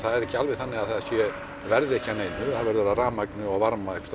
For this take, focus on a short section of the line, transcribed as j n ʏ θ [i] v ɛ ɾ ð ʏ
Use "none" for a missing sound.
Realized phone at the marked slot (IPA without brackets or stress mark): a